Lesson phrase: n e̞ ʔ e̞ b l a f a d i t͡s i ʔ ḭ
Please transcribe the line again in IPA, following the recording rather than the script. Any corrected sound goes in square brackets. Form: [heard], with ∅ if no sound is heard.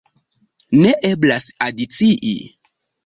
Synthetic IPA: n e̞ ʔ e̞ b l a [s] a d i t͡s i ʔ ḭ